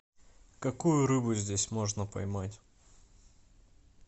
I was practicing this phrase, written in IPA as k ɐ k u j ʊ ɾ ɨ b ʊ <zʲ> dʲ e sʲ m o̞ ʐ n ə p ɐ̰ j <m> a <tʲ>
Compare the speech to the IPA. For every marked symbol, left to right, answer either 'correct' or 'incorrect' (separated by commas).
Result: correct, correct, correct